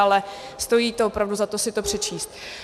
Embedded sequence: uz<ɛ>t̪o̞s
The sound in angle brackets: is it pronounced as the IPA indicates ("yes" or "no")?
no